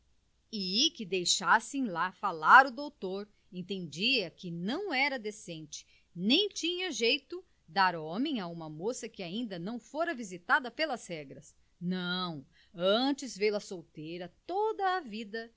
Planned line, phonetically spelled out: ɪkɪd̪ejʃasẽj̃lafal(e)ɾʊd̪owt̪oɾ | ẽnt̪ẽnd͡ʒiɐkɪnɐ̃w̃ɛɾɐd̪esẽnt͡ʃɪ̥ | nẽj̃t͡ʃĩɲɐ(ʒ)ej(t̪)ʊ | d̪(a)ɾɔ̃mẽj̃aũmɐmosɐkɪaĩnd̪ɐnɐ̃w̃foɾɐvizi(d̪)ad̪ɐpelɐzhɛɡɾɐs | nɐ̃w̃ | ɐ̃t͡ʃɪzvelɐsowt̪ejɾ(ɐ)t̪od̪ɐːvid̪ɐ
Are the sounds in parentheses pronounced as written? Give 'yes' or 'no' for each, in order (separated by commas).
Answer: no, yes, yes, yes, no, yes